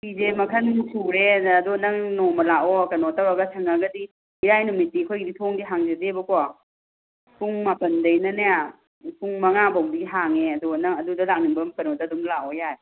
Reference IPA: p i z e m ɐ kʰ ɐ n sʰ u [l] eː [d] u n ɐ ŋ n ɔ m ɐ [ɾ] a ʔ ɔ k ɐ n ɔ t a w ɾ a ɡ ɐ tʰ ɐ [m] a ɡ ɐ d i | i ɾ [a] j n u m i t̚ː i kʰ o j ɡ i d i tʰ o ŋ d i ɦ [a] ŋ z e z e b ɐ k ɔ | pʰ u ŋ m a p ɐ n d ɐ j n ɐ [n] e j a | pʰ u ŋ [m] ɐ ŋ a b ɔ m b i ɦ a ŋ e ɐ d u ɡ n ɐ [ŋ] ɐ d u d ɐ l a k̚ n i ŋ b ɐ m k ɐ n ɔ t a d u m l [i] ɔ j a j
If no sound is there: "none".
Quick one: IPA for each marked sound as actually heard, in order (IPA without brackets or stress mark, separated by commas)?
ɾ, d, l, ŋ, a, a, n, m, ŋ, a